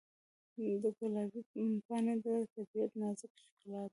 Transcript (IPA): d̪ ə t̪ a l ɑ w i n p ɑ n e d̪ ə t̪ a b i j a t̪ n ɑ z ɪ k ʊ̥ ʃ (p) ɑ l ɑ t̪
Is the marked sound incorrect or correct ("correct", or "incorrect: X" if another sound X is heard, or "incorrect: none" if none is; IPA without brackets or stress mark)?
incorrect: k